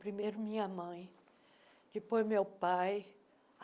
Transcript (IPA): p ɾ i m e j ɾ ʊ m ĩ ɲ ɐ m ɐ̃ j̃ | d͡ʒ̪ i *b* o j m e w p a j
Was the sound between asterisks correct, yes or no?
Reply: no